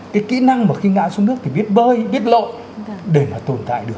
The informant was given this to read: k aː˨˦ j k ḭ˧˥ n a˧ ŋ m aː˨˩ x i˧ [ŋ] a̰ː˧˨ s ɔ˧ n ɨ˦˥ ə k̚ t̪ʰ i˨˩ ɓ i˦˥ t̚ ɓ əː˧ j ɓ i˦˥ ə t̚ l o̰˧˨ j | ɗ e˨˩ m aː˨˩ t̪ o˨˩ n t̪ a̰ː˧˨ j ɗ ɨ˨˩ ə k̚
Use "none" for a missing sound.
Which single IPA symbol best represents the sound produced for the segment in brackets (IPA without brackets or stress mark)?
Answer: ŋ